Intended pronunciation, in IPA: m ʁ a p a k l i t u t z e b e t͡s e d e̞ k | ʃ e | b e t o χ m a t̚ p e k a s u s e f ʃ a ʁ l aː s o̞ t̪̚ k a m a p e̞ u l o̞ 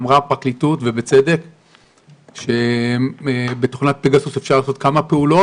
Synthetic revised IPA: m ʁ a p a k l i t u t v e b e t͡s e d e̞ k | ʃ e | b e t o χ n a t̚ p e ɡ a s u s e f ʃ a ʁ l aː s o̞ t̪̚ k a m a p e̞ u l o̞